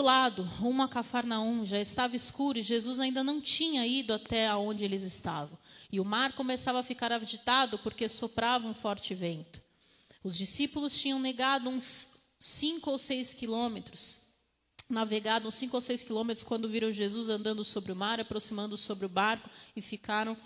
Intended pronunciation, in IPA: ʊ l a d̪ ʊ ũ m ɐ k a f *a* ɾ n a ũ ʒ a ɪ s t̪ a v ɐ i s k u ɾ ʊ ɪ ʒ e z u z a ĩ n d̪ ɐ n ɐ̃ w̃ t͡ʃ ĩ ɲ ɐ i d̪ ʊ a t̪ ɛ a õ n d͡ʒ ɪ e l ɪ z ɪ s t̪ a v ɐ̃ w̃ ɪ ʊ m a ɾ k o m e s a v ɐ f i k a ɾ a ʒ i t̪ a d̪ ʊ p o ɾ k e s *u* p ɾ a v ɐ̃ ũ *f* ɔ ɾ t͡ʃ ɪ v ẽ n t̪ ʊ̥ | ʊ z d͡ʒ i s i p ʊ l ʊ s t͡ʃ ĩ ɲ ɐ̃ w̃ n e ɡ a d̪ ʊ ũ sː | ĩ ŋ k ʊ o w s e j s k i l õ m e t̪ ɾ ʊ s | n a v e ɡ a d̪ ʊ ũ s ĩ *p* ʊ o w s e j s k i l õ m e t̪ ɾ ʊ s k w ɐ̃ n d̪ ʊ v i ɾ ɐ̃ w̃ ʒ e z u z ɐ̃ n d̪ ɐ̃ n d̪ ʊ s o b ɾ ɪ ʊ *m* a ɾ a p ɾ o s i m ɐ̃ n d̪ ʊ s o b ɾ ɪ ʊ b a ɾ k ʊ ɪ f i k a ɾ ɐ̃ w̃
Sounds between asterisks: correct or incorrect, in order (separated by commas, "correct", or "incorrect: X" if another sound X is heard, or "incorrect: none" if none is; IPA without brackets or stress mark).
correct, incorrect: o, correct, incorrect: k, correct